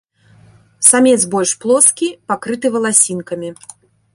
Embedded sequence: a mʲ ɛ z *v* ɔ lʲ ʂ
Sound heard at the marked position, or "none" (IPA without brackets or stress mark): b